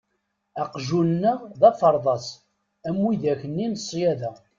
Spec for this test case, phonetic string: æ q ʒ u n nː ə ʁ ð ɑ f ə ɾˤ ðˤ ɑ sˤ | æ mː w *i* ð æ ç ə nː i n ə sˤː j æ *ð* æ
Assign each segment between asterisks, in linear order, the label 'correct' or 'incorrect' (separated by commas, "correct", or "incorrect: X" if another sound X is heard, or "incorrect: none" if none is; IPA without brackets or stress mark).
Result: correct, correct